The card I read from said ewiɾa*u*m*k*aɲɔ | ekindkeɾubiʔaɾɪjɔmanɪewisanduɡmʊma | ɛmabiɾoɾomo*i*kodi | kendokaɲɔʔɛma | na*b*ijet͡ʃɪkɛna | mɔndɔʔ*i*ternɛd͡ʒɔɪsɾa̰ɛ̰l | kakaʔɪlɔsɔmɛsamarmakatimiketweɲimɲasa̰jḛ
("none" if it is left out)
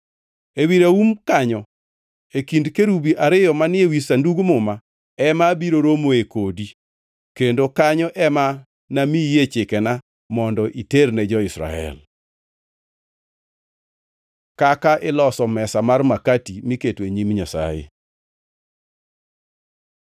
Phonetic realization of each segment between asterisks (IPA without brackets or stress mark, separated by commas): u, k, e, m, i